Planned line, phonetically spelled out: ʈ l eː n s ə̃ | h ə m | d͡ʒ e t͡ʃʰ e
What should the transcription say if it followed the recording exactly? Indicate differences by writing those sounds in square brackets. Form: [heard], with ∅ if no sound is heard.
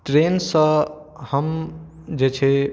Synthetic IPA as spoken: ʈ [ɾ] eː n s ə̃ | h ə m | d͡ʒ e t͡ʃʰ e